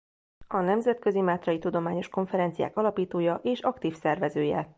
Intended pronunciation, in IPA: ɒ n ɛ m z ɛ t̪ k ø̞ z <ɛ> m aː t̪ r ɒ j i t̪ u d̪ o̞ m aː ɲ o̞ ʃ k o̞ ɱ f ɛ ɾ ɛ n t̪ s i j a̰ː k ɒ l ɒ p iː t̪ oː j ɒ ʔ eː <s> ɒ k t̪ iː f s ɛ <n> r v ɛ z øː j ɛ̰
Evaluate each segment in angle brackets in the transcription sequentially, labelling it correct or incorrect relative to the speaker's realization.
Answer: incorrect: i, incorrect: ʃ, incorrect: none

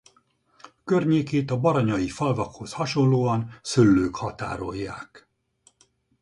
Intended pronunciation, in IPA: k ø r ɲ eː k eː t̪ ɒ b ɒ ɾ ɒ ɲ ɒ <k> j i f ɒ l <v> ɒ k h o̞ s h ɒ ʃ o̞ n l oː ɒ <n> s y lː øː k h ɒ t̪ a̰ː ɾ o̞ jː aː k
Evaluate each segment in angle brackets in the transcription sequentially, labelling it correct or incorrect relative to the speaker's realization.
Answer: incorrect: none, correct, correct

